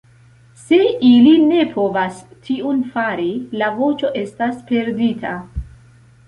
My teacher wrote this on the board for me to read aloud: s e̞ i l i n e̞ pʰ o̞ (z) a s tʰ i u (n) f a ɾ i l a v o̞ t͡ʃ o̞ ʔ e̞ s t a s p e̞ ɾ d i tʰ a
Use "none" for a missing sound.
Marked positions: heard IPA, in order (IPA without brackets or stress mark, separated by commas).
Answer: v, n